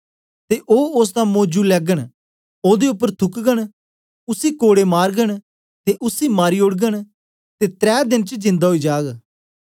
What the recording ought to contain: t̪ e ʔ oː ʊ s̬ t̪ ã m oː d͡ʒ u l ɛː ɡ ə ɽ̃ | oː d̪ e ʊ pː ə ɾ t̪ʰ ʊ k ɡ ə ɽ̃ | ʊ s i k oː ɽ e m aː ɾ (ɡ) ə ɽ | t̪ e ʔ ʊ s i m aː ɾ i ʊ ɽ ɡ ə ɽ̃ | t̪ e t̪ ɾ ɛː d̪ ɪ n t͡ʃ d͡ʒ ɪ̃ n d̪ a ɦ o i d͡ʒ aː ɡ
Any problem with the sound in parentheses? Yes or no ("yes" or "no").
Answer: no